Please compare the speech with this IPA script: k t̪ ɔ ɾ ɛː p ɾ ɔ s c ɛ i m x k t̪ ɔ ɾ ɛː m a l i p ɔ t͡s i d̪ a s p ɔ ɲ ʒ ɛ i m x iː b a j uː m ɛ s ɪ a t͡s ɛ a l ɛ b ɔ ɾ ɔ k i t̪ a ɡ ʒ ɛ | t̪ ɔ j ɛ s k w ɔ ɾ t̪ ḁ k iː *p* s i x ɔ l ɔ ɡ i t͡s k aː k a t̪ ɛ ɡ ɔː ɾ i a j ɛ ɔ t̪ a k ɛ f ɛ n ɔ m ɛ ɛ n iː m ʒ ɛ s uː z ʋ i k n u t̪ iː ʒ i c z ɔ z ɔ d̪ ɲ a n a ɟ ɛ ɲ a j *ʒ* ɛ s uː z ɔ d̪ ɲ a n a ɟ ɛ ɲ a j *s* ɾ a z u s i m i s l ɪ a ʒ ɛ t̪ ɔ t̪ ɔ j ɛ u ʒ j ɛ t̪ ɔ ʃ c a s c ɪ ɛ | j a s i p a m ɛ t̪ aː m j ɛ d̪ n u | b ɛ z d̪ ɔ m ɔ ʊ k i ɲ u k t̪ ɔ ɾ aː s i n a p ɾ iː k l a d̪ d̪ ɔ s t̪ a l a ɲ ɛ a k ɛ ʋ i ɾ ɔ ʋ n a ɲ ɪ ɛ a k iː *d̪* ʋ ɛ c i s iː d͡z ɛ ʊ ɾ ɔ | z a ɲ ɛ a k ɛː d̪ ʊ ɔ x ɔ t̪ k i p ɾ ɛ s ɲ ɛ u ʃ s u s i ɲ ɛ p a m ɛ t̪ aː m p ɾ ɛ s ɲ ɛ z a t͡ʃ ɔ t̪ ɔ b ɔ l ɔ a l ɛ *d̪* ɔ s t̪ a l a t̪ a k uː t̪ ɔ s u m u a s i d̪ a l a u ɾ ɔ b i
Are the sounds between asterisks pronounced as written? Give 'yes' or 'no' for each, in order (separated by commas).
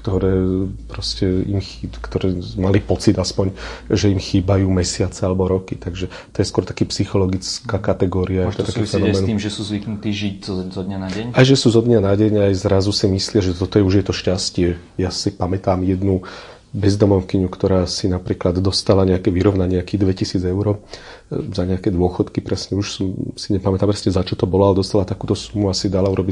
yes, yes, no, yes, yes